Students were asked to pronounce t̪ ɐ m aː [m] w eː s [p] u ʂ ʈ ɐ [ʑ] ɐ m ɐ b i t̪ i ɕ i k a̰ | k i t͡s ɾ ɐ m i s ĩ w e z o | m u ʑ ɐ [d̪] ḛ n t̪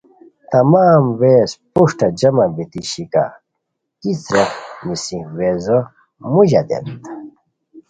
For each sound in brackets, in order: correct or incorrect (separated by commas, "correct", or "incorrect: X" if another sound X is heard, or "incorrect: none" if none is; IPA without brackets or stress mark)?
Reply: correct, correct, incorrect: d͡ʑ, correct